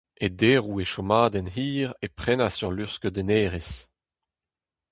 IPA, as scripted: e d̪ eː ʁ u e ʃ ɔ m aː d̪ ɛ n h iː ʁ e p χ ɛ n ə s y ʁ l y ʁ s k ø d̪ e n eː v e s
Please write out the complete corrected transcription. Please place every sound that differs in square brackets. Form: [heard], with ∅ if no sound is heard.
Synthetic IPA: e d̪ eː ʁ u e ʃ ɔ m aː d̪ ɛ n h iː ʁ e p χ ɛ n [a] s y ʁ l y ʁ s k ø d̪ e n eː [ʁ] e s